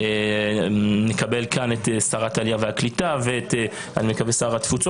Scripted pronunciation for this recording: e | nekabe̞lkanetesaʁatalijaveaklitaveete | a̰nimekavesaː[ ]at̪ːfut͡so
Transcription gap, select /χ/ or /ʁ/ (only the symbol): ʁ